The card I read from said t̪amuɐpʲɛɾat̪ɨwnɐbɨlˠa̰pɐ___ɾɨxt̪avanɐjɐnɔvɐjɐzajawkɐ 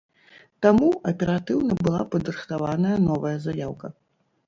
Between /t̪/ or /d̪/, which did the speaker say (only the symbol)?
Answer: d̪